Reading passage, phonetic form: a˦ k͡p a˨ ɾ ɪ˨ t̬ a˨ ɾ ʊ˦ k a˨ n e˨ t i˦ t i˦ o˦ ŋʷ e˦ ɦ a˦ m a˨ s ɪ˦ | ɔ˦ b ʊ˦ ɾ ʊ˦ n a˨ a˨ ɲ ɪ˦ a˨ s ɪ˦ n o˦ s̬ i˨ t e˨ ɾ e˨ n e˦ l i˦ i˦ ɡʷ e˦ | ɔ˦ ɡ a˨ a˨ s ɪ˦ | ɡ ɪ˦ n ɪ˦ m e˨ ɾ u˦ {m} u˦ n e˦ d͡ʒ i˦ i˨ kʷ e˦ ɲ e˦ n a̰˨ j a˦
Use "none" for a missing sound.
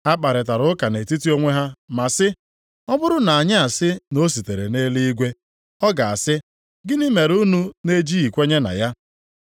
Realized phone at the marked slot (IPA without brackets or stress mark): n